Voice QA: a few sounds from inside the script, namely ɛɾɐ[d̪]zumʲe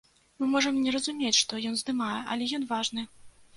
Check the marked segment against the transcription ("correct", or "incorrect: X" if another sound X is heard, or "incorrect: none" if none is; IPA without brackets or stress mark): incorrect: none